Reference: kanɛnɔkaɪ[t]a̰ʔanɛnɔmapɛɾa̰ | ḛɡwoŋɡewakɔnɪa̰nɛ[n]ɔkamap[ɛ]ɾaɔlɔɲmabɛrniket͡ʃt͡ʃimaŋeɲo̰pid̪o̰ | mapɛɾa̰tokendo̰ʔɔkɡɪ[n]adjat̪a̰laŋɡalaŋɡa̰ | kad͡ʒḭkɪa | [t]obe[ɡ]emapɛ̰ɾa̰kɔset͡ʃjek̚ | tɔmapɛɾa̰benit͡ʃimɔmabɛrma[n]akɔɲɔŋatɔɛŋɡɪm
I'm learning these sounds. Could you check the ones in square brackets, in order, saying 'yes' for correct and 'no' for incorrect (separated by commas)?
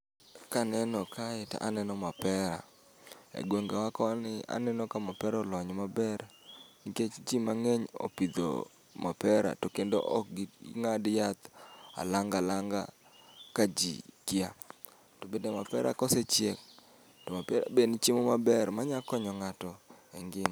yes, yes, yes, no, yes, no, no